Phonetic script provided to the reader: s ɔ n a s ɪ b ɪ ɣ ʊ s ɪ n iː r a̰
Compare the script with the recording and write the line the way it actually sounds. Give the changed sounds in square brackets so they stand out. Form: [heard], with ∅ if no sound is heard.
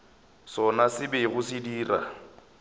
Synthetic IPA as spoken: s ɔ n a s ɪ b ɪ ɣ ʊ s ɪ [d] iː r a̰